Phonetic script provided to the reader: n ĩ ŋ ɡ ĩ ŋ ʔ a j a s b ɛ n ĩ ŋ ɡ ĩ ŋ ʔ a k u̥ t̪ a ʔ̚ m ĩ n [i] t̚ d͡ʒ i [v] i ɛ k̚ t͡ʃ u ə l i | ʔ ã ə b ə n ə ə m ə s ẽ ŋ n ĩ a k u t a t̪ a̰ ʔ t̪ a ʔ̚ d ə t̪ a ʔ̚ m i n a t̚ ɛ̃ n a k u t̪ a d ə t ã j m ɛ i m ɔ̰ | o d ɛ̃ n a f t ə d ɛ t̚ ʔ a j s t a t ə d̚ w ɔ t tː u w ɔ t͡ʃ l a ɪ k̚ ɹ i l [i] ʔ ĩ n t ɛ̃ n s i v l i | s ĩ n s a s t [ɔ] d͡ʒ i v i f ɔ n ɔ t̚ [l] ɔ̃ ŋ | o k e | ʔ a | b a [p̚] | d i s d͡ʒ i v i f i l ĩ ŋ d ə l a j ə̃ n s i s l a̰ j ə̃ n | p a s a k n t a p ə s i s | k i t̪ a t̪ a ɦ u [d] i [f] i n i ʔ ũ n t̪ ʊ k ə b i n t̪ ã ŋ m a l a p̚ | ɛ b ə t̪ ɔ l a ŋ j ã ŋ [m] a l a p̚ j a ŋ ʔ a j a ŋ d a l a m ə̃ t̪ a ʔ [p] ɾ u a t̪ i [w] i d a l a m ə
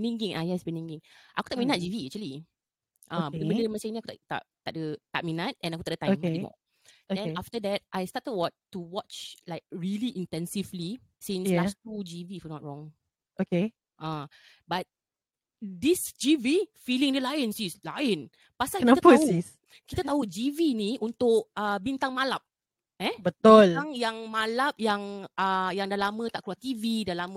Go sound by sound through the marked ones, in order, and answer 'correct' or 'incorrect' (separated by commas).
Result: incorrect, correct, correct, incorrect, incorrect, incorrect, incorrect, incorrect, correct, incorrect, incorrect